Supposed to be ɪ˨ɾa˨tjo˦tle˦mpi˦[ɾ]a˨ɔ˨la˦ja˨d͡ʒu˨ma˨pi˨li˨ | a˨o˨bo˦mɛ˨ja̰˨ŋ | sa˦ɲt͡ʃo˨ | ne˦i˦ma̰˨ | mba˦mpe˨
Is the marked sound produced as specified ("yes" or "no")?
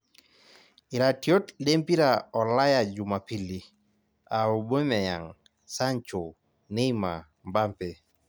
yes